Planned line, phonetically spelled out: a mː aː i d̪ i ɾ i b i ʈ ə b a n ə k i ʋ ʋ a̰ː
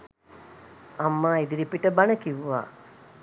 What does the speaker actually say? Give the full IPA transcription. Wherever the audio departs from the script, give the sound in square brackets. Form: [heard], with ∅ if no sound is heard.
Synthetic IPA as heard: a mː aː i d̪ i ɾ i [p] i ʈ ə b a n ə k i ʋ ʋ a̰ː